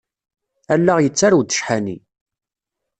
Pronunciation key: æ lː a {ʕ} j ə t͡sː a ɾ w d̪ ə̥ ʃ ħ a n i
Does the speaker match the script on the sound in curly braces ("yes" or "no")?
no